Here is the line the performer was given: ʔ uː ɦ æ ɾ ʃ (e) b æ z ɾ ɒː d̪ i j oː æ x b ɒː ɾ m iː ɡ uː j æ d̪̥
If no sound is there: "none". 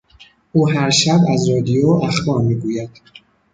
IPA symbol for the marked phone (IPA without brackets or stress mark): æ